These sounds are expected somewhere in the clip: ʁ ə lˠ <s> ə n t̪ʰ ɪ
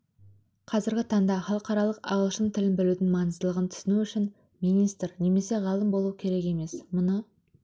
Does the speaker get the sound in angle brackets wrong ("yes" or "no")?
yes